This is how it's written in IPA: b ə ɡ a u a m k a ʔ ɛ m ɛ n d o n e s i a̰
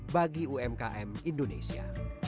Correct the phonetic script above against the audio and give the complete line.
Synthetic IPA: b a ɡ i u ɛ m k a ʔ ɛ m i n d o n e s i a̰